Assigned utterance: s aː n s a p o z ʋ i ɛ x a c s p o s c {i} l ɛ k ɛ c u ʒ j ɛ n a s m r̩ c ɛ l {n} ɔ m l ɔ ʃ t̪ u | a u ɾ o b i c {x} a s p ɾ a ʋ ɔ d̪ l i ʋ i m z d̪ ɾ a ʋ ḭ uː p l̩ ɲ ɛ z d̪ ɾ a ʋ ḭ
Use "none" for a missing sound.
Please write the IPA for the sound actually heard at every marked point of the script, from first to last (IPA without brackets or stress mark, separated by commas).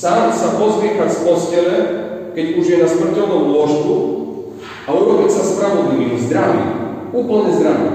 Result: ɛ, n, s